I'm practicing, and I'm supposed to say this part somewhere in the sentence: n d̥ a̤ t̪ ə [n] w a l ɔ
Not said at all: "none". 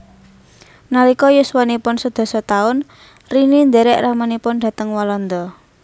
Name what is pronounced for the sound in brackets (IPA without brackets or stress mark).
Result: ŋ